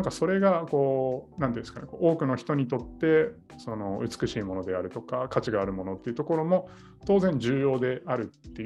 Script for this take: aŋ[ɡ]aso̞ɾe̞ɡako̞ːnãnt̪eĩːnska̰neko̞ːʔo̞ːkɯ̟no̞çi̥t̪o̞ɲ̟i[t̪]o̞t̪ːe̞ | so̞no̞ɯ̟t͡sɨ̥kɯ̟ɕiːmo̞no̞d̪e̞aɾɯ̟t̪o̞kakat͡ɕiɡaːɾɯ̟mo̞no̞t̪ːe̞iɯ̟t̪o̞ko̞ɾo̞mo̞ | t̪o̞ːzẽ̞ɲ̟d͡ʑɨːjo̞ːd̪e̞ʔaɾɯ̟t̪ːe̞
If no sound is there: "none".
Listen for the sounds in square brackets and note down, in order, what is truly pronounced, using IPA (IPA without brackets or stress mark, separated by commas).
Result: k, t̪